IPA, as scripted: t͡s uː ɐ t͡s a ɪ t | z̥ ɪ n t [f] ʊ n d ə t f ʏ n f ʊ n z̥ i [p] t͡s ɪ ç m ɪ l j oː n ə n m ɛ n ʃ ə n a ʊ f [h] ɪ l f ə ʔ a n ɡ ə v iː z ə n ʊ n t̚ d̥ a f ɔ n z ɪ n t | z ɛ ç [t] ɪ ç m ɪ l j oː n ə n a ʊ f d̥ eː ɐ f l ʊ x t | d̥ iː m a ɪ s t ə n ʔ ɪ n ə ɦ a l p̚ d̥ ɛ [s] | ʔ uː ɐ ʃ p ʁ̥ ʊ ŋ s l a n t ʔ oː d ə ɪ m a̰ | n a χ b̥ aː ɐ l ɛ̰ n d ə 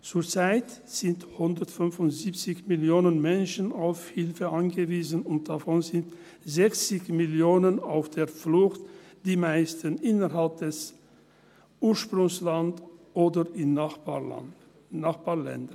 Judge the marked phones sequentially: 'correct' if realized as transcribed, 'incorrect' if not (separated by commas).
incorrect, correct, correct, incorrect, correct